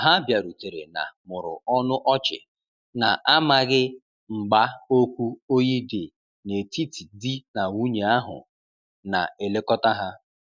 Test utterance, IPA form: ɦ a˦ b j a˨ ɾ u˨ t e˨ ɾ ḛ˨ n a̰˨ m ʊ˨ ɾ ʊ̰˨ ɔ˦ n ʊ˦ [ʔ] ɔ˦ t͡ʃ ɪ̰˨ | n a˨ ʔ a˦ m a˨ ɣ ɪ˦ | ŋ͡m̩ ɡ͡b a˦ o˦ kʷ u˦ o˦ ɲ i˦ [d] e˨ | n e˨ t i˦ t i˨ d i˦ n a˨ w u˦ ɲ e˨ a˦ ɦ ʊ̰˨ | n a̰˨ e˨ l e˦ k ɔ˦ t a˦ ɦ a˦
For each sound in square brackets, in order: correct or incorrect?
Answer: correct, correct

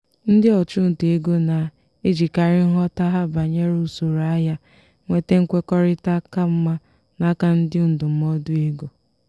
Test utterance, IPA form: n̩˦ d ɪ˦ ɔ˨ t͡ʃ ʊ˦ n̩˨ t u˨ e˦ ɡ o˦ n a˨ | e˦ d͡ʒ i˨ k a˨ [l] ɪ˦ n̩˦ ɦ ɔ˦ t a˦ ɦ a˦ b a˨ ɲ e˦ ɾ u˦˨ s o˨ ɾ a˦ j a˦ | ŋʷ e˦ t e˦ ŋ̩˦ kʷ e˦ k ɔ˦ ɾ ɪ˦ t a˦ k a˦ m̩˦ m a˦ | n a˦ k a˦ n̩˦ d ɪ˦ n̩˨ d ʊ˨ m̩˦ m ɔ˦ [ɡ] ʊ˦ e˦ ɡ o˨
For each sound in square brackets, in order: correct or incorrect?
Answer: incorrect, incorrect

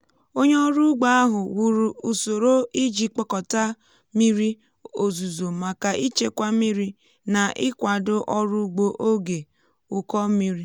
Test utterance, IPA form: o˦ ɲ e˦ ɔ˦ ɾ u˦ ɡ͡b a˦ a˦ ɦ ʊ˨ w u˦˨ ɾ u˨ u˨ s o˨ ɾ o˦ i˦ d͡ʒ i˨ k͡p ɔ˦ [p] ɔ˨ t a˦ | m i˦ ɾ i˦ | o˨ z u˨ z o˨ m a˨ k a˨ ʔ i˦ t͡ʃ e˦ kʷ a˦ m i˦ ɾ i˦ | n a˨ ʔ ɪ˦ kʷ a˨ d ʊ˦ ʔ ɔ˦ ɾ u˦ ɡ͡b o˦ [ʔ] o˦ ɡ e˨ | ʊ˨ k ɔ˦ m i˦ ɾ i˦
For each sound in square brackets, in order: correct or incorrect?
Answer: incorrect, correct

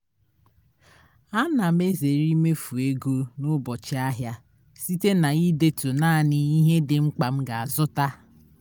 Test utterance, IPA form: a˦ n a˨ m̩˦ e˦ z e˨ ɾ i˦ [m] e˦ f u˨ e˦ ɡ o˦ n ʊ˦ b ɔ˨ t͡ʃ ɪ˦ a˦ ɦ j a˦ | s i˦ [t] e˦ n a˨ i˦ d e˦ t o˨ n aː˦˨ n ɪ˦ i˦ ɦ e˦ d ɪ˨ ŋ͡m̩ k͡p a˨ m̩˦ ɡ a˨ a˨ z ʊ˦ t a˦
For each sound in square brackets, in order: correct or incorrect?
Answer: correct, correct

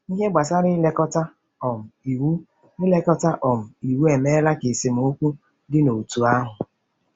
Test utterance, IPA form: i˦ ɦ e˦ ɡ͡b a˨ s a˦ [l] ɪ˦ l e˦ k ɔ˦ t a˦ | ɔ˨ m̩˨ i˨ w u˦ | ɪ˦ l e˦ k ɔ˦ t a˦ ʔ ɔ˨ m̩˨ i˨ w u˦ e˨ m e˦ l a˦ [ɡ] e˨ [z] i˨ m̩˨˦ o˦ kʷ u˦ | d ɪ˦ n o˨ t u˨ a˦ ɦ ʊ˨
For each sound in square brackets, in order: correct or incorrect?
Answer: incorrect, incorrect, incorrect

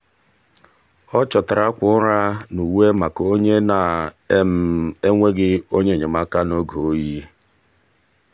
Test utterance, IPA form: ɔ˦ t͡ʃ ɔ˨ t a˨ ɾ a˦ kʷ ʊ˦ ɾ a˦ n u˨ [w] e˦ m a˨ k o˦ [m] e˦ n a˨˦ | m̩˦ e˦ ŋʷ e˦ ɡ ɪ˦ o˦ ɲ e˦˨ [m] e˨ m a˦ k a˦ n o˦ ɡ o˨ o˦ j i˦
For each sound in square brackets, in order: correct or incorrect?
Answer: correct, incorrect, incorrect

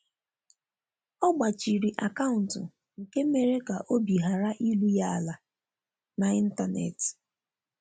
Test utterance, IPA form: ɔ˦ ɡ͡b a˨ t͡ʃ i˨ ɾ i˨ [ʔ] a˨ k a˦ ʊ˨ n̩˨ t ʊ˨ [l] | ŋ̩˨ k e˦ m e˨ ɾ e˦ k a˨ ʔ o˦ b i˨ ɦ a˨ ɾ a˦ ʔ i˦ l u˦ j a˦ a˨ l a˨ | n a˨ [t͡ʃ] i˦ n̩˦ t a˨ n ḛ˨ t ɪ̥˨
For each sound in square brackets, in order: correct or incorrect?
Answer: correct, incorrect, incorrect

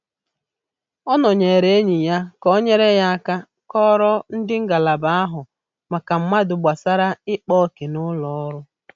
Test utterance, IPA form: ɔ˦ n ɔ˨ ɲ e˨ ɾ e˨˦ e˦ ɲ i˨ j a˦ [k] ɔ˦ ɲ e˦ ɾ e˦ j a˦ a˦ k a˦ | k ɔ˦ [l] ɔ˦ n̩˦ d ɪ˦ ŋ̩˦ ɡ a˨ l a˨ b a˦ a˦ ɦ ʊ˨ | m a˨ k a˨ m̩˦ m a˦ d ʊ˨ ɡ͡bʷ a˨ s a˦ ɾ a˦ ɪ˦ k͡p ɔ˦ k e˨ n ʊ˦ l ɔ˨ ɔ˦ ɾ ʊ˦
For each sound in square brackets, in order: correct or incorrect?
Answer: correct, incorrect

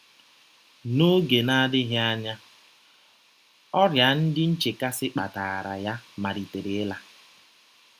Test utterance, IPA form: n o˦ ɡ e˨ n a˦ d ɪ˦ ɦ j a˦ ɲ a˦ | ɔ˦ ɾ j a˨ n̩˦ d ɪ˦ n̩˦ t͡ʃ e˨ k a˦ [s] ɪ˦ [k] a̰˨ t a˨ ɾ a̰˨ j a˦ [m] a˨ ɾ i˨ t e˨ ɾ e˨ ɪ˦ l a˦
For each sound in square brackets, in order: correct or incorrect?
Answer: correct, incorrect, correct

